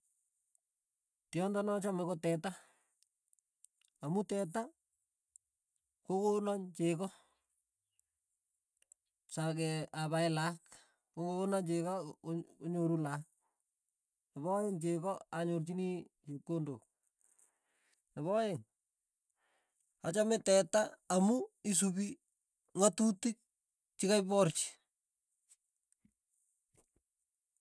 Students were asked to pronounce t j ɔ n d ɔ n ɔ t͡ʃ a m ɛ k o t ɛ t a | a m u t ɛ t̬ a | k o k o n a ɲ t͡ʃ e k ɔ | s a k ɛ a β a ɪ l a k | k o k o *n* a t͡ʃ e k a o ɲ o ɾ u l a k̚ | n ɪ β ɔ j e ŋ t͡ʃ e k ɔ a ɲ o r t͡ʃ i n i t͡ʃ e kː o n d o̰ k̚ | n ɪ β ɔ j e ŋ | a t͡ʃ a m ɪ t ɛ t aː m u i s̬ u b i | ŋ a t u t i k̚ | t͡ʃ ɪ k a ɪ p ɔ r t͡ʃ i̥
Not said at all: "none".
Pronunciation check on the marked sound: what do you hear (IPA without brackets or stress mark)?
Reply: n